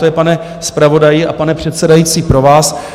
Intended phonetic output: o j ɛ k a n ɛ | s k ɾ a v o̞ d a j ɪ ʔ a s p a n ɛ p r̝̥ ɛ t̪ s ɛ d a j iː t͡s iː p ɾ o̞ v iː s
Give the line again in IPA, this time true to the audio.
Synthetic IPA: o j ɛ p a n ɛ | s p ɾ a v o̞ d a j ɪ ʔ a p a n ɛ p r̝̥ ɛ t̪ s ɛ d a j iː t͡s iː p ɾ o̞ v aː s